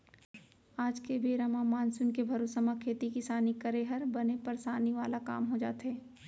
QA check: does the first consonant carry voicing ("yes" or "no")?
yes